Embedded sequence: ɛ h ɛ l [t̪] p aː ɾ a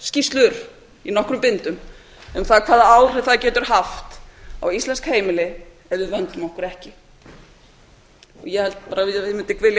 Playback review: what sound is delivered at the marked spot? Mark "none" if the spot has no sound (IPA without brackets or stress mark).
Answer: t̪